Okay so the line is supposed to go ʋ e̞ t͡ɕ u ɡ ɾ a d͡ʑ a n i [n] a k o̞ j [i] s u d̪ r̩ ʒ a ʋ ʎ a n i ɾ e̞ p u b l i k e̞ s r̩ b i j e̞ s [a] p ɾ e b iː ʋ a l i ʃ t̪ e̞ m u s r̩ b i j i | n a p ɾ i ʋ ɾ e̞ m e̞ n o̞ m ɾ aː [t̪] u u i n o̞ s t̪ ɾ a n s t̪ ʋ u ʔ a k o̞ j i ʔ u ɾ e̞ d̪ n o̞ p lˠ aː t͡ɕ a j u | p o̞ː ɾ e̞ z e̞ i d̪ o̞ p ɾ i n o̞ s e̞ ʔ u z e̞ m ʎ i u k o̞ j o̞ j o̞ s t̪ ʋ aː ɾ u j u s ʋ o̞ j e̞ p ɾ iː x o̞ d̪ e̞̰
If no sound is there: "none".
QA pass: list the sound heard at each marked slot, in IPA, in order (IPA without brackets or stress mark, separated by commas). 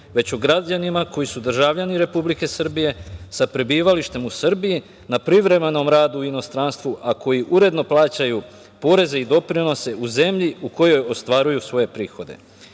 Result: m, i, a, d̪